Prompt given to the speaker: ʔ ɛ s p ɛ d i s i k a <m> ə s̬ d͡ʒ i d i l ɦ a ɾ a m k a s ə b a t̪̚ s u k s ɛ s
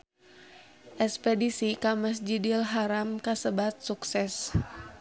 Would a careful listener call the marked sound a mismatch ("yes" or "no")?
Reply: no